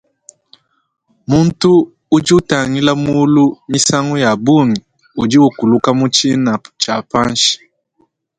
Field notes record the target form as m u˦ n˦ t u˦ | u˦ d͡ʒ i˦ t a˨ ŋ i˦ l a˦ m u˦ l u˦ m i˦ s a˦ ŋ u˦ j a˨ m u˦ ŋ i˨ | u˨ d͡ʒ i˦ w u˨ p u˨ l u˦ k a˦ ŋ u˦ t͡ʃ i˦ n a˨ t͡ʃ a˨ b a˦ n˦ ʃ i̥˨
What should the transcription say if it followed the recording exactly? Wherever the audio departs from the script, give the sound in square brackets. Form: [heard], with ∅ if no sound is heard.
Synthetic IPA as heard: m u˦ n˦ t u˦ | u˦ d͡ʒ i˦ t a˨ ŋ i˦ l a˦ m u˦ l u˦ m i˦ s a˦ ŋ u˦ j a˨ [b] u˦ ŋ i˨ | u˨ d͡ʒ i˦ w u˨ [k] u˨ l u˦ k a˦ [m] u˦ t͡ʃ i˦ n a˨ t͡ʃ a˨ [p] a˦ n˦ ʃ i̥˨